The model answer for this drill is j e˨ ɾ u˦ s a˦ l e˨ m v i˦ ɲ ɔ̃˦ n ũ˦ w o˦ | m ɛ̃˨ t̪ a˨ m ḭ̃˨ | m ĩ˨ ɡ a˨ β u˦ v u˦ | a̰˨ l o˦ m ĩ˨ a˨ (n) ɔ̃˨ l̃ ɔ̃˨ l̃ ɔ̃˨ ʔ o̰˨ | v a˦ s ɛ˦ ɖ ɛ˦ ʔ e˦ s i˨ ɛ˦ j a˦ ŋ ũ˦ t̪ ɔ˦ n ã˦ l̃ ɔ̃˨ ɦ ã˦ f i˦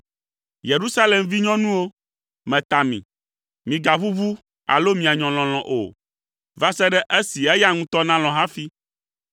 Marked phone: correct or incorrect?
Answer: incorrect